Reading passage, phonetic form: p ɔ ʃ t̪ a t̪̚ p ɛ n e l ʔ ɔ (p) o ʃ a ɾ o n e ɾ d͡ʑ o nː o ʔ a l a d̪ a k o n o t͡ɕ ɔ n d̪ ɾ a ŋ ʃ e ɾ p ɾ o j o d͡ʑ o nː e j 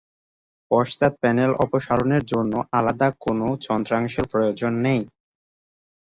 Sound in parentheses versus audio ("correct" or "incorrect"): correct